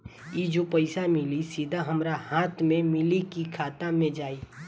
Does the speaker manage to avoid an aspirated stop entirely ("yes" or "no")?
no